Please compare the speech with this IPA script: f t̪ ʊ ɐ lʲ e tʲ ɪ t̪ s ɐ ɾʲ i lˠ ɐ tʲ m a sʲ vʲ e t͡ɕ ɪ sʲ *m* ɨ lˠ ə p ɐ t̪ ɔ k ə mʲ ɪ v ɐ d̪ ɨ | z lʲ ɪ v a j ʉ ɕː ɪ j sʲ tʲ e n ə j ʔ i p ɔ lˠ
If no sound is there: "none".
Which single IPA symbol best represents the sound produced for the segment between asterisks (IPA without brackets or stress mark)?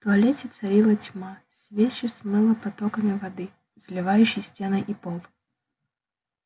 m